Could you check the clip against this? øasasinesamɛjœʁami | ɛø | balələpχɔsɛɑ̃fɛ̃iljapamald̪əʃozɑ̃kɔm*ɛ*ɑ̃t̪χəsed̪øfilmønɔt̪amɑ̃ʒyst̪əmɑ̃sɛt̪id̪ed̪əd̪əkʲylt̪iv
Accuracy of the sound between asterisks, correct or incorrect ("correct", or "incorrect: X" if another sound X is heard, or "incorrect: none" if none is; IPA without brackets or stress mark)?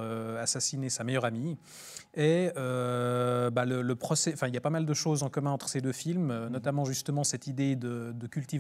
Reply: incorrect: ɛ̃